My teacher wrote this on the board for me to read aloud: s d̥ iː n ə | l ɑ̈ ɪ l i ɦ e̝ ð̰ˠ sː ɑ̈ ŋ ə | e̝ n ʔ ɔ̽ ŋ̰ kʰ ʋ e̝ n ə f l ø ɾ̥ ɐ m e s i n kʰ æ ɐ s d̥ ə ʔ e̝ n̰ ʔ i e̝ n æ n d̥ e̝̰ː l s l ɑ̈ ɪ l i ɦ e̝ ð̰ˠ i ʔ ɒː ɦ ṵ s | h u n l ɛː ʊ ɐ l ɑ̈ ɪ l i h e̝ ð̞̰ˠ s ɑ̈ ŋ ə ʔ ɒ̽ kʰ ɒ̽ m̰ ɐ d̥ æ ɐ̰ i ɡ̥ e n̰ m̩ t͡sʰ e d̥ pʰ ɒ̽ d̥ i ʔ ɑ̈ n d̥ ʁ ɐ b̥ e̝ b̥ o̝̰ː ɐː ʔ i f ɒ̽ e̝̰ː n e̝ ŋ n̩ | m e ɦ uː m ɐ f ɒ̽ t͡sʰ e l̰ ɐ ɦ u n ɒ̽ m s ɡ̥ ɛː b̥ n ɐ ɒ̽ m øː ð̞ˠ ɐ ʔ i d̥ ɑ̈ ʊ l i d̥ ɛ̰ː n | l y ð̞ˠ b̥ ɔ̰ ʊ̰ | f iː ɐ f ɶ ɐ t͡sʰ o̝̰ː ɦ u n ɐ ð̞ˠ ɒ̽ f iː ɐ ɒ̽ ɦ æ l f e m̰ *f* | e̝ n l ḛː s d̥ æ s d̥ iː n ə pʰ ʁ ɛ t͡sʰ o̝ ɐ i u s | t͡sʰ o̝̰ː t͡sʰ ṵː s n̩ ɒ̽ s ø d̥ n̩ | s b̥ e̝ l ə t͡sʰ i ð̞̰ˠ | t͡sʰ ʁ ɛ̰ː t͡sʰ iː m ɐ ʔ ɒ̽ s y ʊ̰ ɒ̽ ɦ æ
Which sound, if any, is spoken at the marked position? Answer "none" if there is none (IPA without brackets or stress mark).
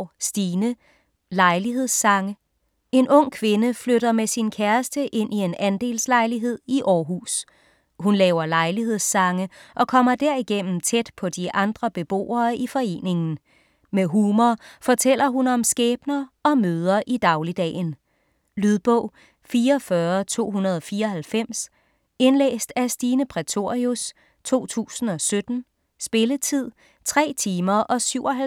s